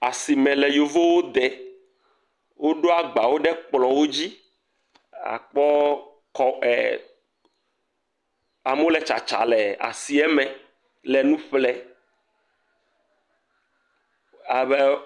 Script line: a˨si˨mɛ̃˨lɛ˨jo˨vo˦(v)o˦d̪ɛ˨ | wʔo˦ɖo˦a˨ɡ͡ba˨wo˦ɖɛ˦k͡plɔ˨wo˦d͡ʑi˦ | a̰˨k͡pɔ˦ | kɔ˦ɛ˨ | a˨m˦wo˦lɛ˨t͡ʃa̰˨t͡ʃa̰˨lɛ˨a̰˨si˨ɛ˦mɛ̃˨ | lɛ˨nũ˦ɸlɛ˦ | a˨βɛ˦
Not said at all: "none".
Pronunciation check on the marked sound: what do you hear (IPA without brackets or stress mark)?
w